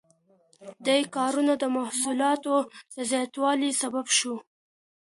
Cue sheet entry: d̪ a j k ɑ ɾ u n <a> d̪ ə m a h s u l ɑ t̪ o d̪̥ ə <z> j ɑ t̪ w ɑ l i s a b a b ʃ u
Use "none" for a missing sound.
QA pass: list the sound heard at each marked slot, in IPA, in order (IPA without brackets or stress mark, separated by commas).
a, z